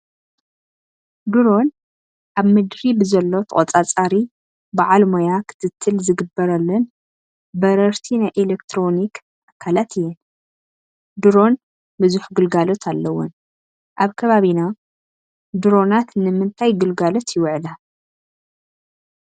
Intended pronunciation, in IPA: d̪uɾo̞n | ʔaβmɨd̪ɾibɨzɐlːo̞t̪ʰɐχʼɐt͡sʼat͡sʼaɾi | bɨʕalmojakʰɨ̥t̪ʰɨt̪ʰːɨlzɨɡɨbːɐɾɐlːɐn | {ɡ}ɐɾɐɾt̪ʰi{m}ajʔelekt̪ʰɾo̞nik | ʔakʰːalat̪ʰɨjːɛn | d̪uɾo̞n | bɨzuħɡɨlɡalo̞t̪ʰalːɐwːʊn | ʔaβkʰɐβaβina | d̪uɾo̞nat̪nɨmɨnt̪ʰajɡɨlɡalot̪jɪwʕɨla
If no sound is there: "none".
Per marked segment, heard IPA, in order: b, n

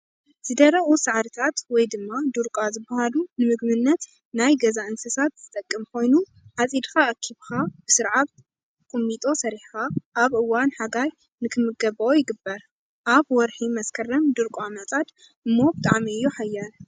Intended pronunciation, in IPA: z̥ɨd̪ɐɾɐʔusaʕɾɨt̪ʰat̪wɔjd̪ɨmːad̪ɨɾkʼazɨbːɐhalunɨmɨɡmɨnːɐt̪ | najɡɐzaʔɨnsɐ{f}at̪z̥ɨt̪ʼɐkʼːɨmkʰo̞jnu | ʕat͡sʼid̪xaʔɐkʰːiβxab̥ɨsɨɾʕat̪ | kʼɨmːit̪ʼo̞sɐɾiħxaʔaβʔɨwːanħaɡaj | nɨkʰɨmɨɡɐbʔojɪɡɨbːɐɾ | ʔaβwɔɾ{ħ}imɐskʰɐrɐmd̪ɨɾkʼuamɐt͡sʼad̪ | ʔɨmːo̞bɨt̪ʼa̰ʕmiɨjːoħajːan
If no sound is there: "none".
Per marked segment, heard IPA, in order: s, ħ

